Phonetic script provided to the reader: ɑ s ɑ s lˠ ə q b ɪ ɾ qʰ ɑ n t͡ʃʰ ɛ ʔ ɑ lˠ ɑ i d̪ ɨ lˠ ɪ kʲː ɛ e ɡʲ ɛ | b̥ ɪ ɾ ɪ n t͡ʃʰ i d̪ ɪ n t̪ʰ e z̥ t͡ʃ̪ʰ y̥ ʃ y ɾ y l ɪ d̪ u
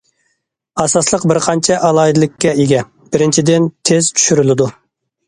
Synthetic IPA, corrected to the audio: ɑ s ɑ s lˠ ə q b ɪ ɾ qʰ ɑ n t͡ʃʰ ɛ ʔ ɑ lˠ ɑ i d̪ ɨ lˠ ɪ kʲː ɛ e ɡʲ ɛ | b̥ ɪ ɾ ɪ n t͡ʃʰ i d̪ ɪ n t̪ʰ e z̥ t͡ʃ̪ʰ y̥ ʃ y ɾ y l ɪ d̪ u